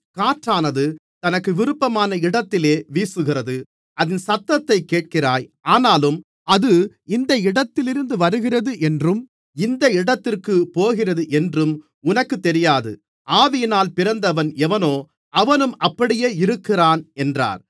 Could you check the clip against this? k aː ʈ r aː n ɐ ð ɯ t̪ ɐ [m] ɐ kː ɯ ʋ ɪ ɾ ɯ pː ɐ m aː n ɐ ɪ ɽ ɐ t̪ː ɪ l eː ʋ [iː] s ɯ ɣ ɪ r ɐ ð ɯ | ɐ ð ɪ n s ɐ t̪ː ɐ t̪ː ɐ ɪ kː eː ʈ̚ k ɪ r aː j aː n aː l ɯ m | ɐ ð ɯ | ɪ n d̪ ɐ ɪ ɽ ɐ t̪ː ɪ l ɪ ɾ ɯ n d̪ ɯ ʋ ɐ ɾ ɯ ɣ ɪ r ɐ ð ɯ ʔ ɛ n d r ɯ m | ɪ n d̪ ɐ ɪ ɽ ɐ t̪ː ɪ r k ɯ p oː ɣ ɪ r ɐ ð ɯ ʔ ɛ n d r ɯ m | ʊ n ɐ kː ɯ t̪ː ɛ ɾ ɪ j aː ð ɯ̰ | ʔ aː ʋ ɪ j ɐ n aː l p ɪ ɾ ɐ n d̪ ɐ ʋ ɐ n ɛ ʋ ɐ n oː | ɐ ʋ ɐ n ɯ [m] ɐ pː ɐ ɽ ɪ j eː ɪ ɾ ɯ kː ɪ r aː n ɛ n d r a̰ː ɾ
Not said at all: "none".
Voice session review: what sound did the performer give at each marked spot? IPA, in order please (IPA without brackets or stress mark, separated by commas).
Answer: n, iː, m